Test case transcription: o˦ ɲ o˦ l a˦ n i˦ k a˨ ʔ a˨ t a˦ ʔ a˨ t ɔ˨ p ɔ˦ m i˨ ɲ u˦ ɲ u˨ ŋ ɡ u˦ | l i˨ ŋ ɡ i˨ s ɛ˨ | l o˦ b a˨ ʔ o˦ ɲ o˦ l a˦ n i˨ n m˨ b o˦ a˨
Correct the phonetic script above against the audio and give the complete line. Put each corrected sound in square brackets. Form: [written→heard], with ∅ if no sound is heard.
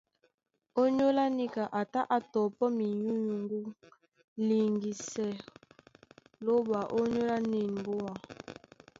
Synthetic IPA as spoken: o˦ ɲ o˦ l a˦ n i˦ k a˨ ʔ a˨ t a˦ ʔ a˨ t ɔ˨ p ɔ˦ m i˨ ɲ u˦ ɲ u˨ ŋ ɡ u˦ | l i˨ ŋ ɡ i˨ s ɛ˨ | l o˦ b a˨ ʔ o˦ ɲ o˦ l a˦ n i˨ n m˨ b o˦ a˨